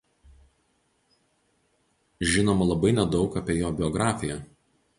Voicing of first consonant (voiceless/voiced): voiced